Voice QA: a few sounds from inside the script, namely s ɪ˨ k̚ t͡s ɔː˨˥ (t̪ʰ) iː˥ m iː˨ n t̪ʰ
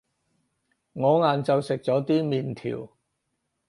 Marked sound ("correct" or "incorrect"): incorrect